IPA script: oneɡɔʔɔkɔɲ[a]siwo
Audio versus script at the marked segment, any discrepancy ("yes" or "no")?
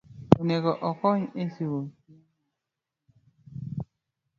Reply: yes